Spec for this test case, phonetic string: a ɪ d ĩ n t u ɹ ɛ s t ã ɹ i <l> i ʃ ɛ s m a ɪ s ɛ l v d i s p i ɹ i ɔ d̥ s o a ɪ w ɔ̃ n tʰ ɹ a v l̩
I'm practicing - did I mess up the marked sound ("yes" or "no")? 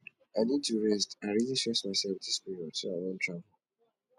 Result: no